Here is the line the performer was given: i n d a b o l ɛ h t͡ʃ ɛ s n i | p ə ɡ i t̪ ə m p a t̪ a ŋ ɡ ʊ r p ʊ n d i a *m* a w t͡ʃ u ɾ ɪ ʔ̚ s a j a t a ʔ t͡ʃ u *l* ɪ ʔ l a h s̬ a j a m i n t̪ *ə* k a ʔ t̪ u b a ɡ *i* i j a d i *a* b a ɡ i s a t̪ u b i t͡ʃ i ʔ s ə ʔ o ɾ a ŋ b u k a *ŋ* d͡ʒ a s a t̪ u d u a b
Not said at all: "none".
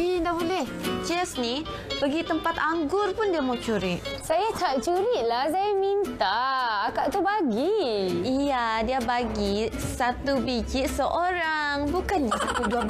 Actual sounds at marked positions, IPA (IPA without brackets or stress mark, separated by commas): m, ɾ, a, i, a, n